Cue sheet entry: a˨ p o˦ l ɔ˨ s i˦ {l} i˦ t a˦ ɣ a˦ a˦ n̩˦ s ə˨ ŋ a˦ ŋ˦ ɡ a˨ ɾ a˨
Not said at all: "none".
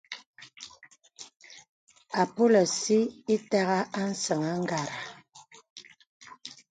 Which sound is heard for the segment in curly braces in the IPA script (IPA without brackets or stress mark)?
none